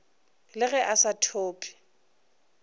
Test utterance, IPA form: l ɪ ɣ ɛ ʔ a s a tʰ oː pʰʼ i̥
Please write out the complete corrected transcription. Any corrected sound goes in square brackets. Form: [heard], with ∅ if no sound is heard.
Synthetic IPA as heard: l ɪ ɣ ɛ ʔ a s a tʰ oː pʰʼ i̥